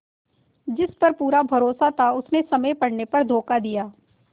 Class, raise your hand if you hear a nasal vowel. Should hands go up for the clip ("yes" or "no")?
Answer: no